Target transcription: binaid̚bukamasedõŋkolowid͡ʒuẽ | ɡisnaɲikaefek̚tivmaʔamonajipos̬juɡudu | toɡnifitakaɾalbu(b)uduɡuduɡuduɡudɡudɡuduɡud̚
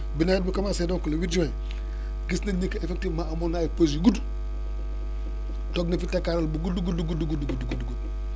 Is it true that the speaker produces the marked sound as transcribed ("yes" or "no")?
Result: no